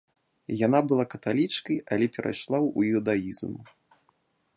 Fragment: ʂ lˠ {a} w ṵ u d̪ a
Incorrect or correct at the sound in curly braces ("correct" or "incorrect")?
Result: correct